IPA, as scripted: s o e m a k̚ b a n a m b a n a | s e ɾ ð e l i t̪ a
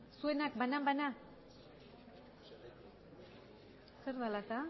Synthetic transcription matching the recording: s u e n a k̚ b a n a m b a n a | s e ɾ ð a l a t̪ a